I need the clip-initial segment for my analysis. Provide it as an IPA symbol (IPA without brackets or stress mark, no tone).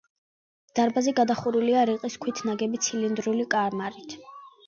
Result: d̪̥